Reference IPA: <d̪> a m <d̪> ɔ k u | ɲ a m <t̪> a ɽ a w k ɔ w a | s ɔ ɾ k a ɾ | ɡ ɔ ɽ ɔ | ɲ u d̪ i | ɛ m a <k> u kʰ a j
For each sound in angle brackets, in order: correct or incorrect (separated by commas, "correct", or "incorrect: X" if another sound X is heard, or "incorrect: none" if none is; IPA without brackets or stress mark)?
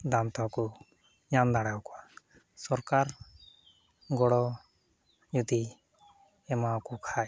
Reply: correct, incorrect: t̪, incorrect: d̪, correct